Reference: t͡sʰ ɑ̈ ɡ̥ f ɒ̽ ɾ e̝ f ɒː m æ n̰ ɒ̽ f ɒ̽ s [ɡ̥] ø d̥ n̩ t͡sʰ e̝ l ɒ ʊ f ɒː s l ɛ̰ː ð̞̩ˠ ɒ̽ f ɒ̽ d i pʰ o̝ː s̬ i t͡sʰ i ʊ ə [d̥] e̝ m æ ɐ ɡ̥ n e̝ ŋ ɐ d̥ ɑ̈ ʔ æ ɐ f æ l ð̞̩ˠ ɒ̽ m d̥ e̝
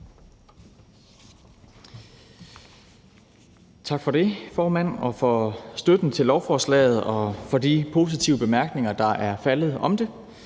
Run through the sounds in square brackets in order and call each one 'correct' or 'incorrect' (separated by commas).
incorrect, incorrect